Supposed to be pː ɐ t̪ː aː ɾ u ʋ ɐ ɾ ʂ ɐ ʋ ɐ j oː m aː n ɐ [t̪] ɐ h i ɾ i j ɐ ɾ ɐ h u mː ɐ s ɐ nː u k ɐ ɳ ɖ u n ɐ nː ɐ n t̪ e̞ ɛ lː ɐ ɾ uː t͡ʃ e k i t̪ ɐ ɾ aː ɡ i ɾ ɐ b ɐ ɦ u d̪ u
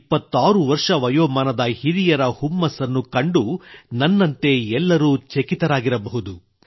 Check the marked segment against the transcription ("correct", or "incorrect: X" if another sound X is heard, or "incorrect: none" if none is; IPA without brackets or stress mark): incorrect: d̪